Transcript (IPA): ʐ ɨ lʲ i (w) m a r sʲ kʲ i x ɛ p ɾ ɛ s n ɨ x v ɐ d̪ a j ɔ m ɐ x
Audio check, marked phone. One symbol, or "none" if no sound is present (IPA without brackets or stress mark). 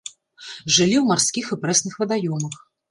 w